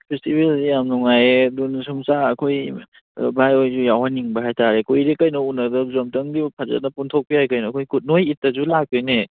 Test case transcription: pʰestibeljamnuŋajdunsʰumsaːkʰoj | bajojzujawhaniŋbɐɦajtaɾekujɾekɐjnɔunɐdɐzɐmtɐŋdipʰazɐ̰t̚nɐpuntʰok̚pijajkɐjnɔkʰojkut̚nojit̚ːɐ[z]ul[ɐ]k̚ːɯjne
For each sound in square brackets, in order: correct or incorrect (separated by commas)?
correct, incorrect